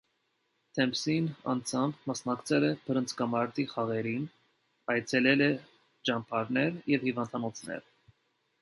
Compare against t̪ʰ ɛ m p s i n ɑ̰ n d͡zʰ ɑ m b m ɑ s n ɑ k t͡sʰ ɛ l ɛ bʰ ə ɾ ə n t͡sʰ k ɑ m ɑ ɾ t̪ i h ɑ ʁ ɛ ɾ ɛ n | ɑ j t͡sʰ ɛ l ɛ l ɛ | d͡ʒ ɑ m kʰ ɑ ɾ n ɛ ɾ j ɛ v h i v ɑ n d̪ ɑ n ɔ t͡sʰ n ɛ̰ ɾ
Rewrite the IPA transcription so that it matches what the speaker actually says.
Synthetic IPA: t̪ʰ ɛ m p s i n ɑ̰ n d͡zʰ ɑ m b m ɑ s n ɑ k t͡sʰ ɛ l ɛ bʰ ə ɾ ə n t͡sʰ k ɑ m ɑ ɾ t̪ i χ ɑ ʁ ɛ ɾ i n | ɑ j t͡sʰ ɛ l ɛ l ɛ | d͡ʒ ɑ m pʰ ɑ ɾ n ɛ ɾ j ɛ v h i v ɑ n d̪ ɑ n ɔ t͡sʰ n ɛ̰ ɾ